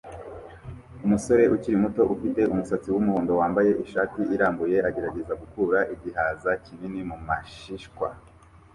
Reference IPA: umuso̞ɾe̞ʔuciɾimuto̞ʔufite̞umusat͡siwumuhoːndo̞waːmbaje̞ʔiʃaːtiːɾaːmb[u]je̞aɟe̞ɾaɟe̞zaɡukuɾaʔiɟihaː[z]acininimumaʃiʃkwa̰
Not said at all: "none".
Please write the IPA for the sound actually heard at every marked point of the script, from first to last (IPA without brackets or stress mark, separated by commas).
u, z